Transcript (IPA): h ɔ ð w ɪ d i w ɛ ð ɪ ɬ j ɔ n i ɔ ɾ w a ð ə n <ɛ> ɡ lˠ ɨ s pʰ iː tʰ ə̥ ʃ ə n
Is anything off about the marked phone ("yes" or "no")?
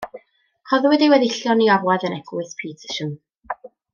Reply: no